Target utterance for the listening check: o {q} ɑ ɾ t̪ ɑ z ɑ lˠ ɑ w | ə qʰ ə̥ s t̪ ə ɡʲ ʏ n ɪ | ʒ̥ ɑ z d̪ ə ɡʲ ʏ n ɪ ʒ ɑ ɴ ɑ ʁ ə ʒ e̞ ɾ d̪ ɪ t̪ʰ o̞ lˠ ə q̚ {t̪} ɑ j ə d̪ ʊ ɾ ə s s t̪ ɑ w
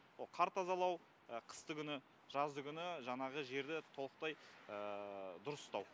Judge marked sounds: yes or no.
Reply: no, yes

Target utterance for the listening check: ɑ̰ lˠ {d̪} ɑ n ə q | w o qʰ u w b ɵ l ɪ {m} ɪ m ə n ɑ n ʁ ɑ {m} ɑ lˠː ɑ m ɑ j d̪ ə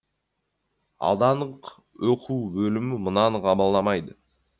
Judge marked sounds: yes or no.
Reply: yes, yes, no

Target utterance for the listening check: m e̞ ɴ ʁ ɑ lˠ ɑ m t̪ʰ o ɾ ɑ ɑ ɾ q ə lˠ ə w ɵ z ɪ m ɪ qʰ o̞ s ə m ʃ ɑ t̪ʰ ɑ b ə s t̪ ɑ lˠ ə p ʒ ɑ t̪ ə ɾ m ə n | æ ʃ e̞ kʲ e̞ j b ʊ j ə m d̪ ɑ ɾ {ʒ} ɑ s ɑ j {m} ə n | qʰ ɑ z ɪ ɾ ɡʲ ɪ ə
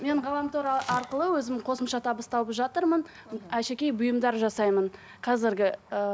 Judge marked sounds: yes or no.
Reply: yes, yes

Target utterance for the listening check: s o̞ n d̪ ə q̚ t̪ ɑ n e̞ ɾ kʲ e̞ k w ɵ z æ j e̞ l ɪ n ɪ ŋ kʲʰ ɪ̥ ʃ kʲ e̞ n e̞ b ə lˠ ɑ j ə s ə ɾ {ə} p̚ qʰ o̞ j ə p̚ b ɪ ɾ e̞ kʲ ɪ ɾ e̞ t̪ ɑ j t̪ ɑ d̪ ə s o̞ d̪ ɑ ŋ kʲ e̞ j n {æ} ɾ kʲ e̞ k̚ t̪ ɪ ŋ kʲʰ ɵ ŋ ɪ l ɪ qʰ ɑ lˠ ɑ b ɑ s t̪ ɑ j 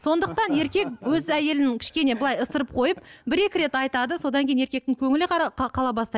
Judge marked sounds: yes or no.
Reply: yes, no

